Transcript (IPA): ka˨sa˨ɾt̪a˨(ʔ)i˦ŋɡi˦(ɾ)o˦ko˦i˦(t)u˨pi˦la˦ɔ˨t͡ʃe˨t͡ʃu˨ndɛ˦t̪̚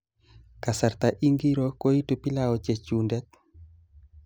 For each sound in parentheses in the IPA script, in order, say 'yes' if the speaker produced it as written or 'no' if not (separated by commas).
yes, yes, yes